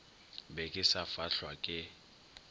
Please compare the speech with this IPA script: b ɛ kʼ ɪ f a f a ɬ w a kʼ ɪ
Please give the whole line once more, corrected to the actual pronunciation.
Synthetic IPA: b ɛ kʼ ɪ s a f a ɬ w a kʼ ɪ